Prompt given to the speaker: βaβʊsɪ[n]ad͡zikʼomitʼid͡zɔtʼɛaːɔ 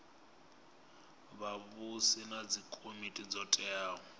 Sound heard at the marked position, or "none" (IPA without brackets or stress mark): n